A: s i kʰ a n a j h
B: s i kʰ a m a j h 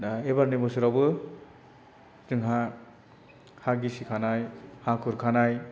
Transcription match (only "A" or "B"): A